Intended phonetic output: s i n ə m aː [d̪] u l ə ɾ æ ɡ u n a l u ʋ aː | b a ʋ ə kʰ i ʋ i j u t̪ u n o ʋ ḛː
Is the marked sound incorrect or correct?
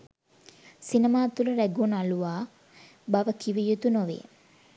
incorrect